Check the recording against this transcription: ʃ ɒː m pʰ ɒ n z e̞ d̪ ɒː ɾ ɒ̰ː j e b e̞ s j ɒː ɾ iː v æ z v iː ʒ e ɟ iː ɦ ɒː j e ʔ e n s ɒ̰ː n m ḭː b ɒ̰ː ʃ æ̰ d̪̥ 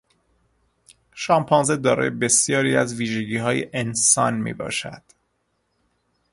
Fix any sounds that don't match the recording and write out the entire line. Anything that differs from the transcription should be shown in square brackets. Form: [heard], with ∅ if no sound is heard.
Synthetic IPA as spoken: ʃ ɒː m pʰ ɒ n z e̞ d̪ ɒː ɾ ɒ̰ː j e b e̞ s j ɒː ɾ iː [∅] æ z v iː ʒ e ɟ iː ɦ ɒː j e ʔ e n s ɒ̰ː n m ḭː b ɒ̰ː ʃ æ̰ d̪̥